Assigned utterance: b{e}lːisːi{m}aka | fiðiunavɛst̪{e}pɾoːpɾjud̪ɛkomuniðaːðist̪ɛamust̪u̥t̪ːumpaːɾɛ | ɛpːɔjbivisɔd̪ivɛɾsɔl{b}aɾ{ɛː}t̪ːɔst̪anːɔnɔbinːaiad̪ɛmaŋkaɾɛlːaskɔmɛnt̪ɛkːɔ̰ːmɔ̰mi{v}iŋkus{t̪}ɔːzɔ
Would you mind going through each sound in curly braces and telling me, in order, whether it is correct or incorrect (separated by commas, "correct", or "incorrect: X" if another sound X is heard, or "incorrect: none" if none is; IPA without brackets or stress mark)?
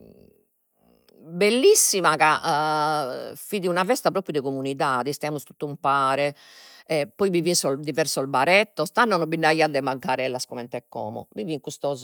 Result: correct, correct, incorrect: a, correct, incorrect: ɛ, correct, correct